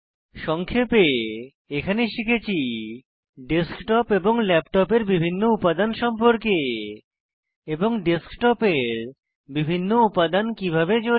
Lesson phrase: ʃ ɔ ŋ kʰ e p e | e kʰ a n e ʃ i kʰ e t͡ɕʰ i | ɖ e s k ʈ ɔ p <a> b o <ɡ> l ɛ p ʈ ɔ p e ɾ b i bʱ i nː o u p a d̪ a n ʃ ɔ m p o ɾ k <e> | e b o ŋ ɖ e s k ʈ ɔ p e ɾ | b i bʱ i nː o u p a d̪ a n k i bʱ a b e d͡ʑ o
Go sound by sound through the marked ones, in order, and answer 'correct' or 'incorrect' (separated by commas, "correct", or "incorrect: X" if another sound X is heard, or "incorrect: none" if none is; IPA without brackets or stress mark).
incorrect: e, incorrect: ŋ, correct